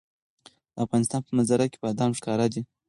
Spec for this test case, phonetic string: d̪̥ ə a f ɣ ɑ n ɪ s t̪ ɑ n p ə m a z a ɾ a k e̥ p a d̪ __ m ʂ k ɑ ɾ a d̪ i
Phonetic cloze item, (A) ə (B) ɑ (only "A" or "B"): B